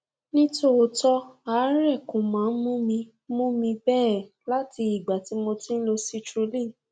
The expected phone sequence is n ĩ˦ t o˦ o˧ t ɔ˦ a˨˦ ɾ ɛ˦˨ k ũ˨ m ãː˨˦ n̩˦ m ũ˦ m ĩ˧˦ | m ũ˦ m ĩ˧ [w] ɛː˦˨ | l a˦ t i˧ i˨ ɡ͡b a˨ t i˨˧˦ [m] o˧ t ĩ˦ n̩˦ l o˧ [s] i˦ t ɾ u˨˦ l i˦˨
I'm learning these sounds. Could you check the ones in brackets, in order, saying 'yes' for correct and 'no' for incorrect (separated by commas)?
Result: no, yes, yes